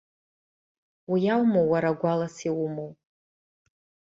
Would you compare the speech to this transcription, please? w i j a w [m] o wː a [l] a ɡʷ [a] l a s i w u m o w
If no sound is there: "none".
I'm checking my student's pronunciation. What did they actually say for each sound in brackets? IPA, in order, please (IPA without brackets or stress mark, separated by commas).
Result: m, ɾ, a